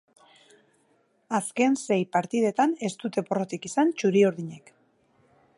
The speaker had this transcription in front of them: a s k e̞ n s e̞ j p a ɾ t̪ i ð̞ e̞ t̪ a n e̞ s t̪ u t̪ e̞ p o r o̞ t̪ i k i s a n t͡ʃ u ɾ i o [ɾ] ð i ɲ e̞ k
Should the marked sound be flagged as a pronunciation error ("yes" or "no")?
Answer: no